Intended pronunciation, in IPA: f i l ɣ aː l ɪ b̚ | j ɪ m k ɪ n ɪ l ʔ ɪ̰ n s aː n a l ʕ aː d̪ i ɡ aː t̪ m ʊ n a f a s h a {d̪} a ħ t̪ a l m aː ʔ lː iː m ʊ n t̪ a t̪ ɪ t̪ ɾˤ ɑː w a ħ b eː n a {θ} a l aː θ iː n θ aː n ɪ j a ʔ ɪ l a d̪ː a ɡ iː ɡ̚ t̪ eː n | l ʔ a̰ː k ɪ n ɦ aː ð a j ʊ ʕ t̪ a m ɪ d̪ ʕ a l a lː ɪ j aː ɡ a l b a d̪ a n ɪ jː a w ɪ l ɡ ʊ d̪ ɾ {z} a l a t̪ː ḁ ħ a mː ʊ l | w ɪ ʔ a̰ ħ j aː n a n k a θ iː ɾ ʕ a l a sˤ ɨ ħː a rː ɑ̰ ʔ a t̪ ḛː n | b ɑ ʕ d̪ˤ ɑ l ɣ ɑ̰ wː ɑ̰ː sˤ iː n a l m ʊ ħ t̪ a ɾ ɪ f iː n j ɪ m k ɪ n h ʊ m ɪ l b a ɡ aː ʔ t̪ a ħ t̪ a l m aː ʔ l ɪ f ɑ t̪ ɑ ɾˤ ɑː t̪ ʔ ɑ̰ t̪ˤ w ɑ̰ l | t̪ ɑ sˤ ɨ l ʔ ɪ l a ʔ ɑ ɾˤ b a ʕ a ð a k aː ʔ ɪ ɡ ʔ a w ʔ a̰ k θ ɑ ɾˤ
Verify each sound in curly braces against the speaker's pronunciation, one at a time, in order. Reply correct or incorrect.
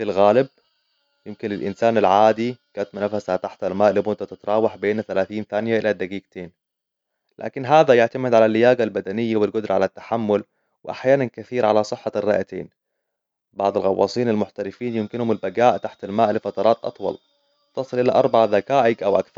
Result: incorrect: t̪, correct, incorrect: ʕ

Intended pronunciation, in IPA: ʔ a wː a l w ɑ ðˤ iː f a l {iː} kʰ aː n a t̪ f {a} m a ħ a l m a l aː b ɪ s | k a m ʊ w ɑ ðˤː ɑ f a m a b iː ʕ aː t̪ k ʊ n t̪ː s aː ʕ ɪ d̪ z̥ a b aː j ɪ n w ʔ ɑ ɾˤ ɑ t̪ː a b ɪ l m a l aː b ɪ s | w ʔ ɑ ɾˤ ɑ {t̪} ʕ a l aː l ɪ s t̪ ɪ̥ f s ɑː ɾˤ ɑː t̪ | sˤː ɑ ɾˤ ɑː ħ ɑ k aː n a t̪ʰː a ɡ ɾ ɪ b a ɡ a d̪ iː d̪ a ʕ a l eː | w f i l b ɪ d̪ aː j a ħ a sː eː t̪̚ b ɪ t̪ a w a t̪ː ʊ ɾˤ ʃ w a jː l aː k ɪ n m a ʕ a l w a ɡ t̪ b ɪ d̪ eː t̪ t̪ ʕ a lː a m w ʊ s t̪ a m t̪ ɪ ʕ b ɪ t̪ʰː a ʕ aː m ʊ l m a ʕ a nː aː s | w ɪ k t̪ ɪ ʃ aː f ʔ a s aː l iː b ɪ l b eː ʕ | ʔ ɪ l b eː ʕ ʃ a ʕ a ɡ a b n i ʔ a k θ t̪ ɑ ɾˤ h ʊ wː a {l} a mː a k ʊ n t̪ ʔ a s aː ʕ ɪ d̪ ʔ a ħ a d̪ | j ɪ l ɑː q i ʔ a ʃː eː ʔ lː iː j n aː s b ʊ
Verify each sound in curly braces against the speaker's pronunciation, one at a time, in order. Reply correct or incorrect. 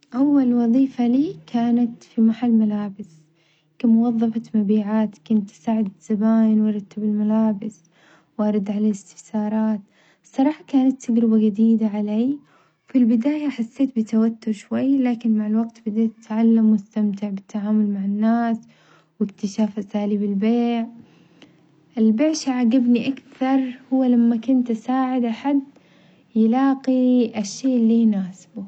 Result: correct, incorrect: i, incorrect: d̪, correct

